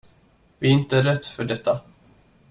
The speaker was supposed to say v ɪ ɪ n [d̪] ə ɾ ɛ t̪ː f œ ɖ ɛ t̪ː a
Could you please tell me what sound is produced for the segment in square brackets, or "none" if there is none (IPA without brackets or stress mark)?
t̪